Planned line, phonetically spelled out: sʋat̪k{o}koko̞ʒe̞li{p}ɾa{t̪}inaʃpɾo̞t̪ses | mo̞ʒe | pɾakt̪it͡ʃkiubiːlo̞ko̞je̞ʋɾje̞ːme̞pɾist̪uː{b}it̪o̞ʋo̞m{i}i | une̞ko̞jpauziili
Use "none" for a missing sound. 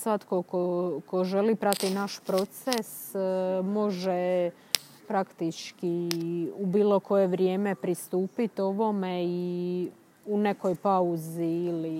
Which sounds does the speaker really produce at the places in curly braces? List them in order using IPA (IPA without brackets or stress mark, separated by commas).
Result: o, p, t̪, p, e